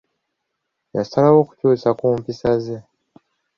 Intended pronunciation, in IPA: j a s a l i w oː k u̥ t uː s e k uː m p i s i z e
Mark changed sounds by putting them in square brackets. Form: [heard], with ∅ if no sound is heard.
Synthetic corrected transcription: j a s a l [a] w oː k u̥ [c] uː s [a] k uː m p i s [a] z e